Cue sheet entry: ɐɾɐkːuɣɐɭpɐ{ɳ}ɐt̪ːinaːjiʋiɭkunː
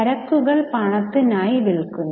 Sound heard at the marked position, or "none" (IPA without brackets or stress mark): ɳ